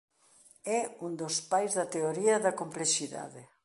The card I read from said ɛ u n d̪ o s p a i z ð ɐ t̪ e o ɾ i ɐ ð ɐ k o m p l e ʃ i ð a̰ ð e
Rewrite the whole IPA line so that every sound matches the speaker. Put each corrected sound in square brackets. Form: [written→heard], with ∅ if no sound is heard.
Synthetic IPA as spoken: ɛ u n d̪ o s p a [i→j] z ð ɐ t̪ e o ɾ i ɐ ð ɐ k o m p l e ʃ i ð a̰ ð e